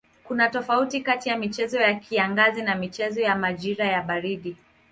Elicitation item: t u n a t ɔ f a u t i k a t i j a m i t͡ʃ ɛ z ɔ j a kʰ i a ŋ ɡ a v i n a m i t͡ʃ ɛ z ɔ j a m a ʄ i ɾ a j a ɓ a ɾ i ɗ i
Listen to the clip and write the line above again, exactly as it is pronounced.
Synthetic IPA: k u n a t ɔ f a u t i k a t i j a m i t͡ʃ ɛ z ɔ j a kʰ i a ŋ ɡ a z i n a m i t͡ʃ ɛ z ɔ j a m a ʄ i ɾ a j a ɓ a ɾ i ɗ i